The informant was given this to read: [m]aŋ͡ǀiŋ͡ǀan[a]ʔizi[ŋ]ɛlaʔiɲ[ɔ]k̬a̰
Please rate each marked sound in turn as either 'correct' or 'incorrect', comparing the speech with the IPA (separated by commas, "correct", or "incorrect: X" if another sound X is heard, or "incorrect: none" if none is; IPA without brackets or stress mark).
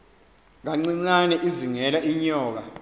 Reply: incorrect: ŋ, incorrect: ɛ, correct, incorrect: ɔː